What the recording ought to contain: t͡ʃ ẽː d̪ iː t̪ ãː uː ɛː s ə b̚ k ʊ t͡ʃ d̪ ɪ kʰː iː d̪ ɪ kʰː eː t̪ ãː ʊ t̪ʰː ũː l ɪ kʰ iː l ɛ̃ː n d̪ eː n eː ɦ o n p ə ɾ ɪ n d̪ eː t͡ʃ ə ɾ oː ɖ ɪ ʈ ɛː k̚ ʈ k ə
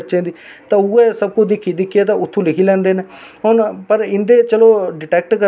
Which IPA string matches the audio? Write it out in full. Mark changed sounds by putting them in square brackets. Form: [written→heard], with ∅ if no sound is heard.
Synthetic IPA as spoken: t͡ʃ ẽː d̪ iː t̪ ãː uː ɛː s ə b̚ k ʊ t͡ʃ d̪ ɪ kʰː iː d̪ ɪ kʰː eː t̪ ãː ʊ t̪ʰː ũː l ɪ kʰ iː l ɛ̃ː n d̪ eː n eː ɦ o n p ə ɾ ɪ n d̪ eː t͡ʃ ə [ɾ→l] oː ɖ ɪ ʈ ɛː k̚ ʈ k ə